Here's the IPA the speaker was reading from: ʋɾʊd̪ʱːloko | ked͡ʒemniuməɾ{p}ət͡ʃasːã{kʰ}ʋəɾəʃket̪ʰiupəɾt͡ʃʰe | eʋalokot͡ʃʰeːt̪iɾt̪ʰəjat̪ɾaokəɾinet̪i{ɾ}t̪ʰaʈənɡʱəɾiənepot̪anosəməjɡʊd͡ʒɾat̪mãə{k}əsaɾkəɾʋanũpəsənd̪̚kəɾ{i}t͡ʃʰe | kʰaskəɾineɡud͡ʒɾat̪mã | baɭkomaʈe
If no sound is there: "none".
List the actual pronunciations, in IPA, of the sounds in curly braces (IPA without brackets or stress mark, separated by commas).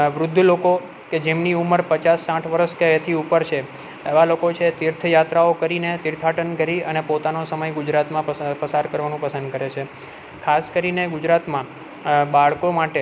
p, ʈʰ, ɾ, p, e